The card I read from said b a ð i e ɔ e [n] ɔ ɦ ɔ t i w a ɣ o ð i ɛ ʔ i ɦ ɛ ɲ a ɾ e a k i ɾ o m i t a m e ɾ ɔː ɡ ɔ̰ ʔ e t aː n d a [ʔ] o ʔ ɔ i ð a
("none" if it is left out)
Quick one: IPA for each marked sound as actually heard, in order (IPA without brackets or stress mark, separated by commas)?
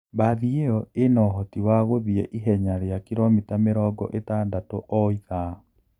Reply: n, t